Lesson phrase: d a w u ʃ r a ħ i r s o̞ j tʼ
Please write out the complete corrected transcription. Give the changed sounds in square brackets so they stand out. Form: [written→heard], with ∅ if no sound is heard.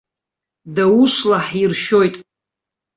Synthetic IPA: d a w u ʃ [r→l] a ħ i r [s→ʃ] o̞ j tʼ